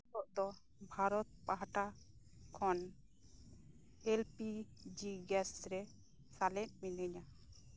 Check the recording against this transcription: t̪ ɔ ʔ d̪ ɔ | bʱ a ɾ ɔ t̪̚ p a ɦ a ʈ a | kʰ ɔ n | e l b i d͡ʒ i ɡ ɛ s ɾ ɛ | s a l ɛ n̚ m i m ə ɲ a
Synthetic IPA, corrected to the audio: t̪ ɔ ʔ d̪ ɔ | bʱ a ɾ ɔ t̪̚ p a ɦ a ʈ a | kʰ ɔ n | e l p i d͡ʒ i ɡ ɛ s ɾ ɛ | s a l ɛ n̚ m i n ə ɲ a